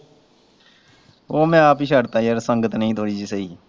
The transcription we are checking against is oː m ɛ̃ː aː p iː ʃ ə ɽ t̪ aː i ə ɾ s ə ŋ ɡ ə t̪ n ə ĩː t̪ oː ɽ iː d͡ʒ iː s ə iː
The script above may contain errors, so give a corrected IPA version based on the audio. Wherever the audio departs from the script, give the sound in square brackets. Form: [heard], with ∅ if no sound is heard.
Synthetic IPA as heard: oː m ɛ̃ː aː p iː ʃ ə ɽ t̪ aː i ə ɾ s ə ŋ ɡ ə t̪ n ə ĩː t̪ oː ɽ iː d͡ʒ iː s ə iː